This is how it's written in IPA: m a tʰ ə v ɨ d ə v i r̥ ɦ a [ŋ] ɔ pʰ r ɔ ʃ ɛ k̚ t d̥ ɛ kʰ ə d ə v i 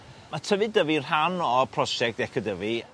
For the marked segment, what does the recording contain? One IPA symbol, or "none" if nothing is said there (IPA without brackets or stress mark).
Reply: n